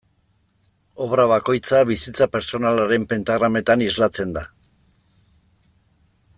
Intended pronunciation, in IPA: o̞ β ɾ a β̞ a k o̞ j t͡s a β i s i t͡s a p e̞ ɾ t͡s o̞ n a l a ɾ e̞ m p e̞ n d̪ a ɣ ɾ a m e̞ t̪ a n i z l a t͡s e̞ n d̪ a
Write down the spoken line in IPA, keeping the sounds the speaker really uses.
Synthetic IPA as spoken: o̞ β ɾ a β̞ a k o̞ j t͡s a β i s i t͡s a p e̞ ɾ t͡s o̞ n a l a ɾ e̞ m p e̞ n t̪ a ɣ ɾ a m e̞ t̪ a n i z l a t͡s e̞ n d̪ a